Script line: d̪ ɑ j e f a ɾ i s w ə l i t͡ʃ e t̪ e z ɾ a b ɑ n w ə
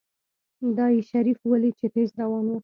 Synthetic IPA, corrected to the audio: d̪ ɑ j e ʃ a ɾ i f w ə l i t͡ʃ e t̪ e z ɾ a w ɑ n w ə